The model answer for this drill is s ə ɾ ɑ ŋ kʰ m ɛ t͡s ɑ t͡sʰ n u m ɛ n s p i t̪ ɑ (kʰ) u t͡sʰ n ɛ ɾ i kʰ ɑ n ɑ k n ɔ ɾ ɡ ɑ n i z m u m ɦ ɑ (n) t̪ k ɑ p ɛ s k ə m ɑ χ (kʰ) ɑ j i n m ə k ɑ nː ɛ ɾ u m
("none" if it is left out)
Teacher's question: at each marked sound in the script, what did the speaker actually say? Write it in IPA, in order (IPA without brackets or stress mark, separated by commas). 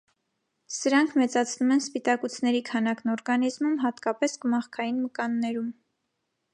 k, none, kʰ